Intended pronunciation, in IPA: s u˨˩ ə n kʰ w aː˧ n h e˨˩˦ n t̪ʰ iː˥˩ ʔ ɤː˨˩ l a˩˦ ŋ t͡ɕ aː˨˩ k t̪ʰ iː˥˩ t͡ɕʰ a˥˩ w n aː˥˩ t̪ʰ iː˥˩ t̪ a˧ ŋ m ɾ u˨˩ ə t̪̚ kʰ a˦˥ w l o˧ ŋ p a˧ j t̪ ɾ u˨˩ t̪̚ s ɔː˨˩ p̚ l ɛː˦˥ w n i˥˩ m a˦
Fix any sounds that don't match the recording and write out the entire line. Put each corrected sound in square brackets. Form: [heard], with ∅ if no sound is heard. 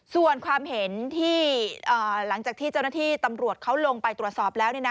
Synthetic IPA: s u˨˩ ə n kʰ w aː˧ [m] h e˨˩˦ n t̪ʰ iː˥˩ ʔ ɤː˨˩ l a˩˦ ŋ t͡ɕ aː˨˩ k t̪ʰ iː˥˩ [t͡ɕ] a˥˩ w n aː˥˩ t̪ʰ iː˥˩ t̪ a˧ [∅] m ɾ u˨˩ ə t̪̚ kʰ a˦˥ w l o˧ ŋ p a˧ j t̪ ɾ u˨˩ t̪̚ s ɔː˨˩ p̚ l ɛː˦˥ w n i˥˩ [n] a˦